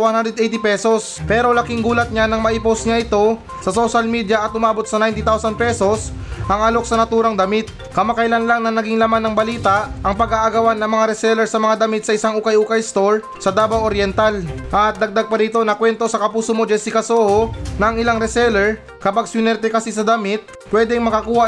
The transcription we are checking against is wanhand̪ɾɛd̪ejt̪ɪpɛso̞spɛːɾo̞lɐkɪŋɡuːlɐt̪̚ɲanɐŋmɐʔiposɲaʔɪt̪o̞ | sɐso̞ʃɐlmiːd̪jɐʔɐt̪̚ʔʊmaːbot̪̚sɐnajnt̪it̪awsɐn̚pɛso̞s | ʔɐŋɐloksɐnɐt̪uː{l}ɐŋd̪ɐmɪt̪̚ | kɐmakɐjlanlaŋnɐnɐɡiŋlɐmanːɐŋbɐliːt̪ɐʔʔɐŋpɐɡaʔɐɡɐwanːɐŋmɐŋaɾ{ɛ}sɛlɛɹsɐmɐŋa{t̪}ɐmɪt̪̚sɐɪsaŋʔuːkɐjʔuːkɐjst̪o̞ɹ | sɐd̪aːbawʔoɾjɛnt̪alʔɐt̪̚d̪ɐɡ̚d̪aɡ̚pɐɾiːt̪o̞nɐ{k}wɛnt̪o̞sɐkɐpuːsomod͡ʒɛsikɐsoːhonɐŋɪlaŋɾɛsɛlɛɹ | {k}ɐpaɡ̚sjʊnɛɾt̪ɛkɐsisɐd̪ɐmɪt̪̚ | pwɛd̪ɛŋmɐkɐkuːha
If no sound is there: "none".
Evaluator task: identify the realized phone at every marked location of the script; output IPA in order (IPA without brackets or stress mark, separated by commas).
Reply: ɾ, ɛ, d̪, k, k